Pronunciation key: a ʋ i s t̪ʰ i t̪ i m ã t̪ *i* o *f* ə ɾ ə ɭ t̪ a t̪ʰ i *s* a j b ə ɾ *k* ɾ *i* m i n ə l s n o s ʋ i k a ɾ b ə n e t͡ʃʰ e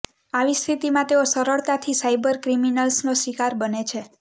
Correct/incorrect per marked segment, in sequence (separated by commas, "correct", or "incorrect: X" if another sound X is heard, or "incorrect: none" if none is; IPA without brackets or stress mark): incorrect: e, incorrect: s, correct, correct, correct